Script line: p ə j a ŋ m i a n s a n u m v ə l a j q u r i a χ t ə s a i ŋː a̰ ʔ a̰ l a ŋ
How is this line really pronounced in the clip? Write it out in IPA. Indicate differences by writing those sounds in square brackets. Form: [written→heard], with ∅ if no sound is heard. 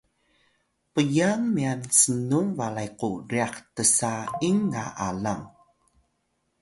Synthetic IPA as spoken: p ə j a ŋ m i a n s [a→ə] n u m v [ə→a] l a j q u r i a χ t ə s a i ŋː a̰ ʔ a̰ l a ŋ